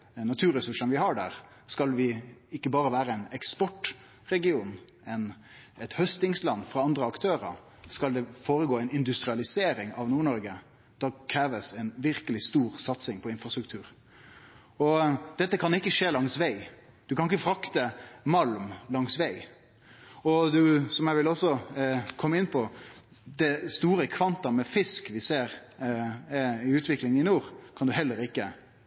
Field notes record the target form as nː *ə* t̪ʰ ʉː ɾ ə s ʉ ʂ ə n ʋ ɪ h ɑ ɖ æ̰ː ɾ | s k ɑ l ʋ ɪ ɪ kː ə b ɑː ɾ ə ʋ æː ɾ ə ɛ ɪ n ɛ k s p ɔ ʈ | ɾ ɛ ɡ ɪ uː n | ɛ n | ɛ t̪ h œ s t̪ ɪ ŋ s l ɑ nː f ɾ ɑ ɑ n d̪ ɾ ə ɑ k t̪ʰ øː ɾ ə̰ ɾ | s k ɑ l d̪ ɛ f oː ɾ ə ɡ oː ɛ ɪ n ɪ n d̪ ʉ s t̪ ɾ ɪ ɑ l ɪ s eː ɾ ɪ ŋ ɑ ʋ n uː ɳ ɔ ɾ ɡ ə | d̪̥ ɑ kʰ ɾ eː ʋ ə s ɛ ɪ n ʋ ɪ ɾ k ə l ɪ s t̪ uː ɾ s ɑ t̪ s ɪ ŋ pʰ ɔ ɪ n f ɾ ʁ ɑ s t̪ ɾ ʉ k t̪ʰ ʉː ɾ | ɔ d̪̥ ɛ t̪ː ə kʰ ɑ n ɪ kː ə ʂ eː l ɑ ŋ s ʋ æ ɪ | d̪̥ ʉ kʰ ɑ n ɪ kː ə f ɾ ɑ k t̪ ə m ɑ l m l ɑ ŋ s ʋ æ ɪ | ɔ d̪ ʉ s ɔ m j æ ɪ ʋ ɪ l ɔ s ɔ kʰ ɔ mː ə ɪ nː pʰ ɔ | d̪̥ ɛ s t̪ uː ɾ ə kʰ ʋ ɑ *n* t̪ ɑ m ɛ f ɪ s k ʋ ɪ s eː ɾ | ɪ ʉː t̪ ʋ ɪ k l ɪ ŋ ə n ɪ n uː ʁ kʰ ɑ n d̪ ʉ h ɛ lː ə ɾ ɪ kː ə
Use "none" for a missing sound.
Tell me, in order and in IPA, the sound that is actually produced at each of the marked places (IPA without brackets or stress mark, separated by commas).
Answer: ɑ, n